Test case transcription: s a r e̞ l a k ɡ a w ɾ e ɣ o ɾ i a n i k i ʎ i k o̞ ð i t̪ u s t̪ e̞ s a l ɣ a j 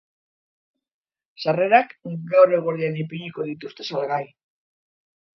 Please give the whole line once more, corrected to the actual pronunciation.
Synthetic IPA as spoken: s a r e̞ ɾ a k ɡ a w ɾ e ɣ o ɾ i a n i p i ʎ i k o̞ ð i t̪ u s t̪ e̞ s a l ɣ a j